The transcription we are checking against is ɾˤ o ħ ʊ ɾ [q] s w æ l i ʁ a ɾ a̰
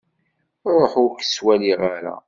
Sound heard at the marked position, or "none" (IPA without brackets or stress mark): k